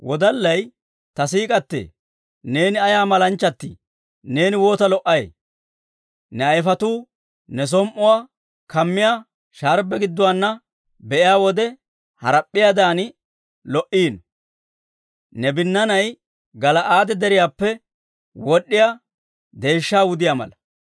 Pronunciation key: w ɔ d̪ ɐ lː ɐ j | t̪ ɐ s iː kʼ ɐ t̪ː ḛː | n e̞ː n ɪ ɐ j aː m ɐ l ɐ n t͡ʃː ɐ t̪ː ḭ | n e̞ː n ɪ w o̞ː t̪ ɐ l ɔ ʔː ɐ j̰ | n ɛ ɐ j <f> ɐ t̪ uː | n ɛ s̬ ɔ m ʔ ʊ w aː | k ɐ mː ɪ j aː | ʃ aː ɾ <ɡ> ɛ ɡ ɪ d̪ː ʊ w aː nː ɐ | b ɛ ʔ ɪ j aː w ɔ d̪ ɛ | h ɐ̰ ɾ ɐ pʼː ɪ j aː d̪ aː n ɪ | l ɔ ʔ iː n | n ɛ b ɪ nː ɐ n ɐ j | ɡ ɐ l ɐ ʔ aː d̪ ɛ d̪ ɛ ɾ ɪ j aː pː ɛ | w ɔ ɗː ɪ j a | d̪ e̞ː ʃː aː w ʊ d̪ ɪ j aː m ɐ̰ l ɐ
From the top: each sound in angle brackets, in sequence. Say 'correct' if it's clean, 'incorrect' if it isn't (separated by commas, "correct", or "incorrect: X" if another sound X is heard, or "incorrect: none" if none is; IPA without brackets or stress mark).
correct, incorrect: b